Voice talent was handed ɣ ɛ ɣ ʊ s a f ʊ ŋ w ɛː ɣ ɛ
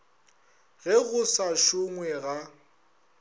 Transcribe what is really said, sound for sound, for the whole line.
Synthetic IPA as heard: ɣ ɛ ɣ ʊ s a ʃ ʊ ŋ w ɛ ɣ a